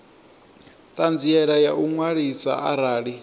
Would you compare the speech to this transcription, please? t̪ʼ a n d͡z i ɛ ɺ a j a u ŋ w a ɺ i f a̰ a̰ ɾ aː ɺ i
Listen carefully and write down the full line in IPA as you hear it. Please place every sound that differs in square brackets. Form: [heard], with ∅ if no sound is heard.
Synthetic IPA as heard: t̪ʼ a n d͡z i ɛ ɺ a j a u ŋ w a ɺ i [s] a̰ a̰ ɾ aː ɺ i

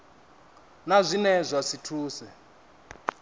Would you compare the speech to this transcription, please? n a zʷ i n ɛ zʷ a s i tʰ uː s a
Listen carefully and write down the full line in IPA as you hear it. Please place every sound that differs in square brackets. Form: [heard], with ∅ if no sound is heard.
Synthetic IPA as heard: n a zʷ i n ɛ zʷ a s i tʰ uː s [ɛ]

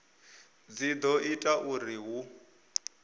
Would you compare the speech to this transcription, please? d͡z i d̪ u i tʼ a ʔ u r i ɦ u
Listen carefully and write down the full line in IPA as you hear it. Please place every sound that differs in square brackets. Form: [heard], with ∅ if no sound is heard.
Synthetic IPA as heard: d͡z i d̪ [ɔ] i tʼ a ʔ u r i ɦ u

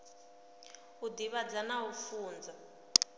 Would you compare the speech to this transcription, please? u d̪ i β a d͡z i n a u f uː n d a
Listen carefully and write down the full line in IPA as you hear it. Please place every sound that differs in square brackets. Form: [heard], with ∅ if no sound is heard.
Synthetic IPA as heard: u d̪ i β a d͡z [a] n a u f uː n [d͡z] a

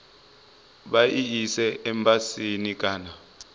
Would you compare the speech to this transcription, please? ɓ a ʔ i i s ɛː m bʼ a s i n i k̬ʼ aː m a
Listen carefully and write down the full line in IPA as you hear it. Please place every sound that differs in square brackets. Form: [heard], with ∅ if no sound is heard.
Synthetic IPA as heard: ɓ a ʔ i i s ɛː m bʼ a s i n i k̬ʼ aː [n] a

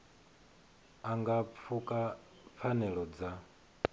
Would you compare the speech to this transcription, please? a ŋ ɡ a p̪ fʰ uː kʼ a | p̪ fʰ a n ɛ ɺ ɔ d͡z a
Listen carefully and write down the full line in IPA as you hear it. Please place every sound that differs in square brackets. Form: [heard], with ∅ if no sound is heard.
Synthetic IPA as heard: a ŋ ɡ a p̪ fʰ [u] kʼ a | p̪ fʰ a n ɛ ɺ ɔ d͡z a

